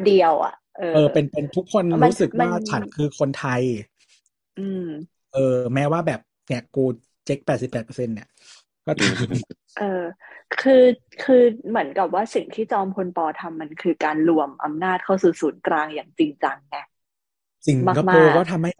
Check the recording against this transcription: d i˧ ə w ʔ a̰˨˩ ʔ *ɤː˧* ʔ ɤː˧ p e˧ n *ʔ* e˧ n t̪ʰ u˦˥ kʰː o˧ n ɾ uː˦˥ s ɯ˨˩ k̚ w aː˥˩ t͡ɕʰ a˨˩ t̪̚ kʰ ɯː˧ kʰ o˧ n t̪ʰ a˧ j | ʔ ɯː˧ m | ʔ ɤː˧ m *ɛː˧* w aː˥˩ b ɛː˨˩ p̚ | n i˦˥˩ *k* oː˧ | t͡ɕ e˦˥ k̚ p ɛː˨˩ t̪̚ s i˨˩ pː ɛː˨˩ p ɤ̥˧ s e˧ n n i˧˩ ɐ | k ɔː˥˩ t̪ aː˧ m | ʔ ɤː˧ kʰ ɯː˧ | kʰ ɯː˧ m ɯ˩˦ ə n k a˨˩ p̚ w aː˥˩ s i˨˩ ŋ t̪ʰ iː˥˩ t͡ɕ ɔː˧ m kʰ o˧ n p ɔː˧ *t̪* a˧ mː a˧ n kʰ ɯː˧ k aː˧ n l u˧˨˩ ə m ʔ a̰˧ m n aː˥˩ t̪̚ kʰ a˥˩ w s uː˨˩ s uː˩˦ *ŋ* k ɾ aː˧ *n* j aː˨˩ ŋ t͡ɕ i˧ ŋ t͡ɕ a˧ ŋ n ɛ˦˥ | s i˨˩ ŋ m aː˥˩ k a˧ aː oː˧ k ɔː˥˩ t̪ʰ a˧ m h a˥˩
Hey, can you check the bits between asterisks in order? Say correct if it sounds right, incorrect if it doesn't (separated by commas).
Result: correct, incorrect, incorrect, correct, incorrect, incorrect, incorrect